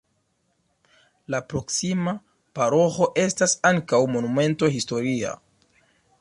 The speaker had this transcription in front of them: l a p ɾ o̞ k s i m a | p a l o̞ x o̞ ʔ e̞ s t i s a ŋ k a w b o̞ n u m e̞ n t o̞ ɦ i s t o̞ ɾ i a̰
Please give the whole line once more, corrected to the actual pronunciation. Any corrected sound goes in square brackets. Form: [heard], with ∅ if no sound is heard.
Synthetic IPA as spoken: l a p ɾ o̞ k s i m a | p a [ɾ] o̞ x o̞ ʔ e̞ s t [a] s a ŋ k a w [m] o̞ n u m e̞ n t o̞ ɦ i s t o̞ ɾ i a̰